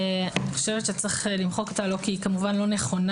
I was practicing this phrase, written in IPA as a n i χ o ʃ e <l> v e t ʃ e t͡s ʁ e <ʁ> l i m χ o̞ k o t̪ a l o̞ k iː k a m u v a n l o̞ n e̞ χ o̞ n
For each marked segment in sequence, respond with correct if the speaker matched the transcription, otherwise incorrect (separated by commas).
incorrect, incorrect